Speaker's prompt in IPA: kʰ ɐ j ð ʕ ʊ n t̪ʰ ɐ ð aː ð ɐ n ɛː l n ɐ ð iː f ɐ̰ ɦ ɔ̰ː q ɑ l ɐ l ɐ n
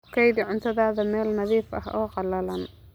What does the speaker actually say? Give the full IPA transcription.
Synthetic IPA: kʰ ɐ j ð ʕ ʊ n t̪ʰ ɐ ð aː ð ɐ m ɛː l n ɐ ð iː f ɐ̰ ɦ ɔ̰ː q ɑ l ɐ l ɐ n